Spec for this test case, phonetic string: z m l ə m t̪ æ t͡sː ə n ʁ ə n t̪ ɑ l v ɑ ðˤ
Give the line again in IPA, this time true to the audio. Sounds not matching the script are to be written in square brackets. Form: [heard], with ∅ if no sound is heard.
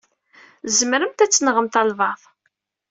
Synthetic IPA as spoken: z m [ɾ] ə m t̪ æ t͡sː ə n ʁ ə [m] t̪ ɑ l v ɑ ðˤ